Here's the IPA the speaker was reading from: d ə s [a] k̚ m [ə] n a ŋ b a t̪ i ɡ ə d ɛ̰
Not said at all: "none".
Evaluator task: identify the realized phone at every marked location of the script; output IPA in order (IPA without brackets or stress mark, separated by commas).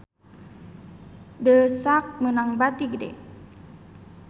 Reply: a, ə